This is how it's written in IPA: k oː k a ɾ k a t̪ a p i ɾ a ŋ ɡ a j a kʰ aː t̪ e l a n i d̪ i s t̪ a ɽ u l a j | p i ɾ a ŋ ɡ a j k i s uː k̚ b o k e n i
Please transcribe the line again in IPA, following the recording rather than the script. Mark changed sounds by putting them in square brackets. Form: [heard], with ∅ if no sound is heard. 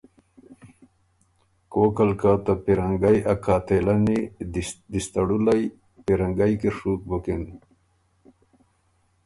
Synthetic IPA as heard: k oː k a [l] k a t̪ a p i ɾ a ŋ ɡ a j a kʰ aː t̪ e l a n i d̪ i s t̪ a ɽ u l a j | p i ɾ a ŋ ɡ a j k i [ʂ] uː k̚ b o k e n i